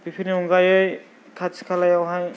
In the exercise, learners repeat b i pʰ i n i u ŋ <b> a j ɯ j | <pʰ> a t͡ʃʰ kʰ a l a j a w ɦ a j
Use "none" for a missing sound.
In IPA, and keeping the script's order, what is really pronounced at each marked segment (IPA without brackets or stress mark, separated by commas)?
ɡ, kʰ